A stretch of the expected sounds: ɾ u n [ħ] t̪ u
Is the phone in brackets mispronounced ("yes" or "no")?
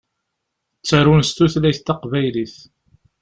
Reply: yes